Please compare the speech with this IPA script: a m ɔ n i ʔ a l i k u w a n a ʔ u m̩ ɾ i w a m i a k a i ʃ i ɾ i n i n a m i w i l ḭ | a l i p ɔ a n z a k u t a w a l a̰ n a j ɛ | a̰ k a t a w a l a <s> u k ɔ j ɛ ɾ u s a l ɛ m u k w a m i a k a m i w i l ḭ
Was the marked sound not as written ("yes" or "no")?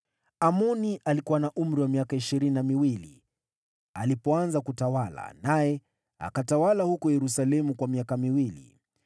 yes